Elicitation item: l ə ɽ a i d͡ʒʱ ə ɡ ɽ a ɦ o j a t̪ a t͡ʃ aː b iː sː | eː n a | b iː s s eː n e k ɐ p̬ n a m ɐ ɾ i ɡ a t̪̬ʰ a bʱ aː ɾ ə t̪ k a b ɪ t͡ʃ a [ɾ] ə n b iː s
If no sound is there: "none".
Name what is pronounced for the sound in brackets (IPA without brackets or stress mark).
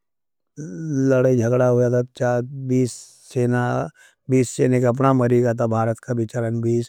ɾ